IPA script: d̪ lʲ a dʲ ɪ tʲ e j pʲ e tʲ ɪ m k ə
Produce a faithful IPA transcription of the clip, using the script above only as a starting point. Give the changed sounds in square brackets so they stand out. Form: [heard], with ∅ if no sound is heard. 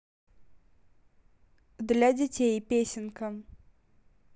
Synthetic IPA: d̪ lʲ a dʲ ɪ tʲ e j pʲ e [sʲ] ɪ [n] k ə